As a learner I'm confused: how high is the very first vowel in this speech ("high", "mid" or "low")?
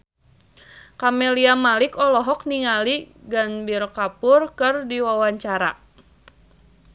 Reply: low